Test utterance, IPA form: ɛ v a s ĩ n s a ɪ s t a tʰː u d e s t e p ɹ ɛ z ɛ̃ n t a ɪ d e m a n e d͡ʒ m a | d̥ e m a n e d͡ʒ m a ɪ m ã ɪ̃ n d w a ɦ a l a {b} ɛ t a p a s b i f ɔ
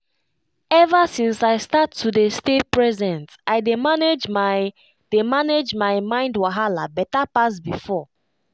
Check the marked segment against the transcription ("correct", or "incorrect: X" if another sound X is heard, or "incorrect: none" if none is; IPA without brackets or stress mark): correct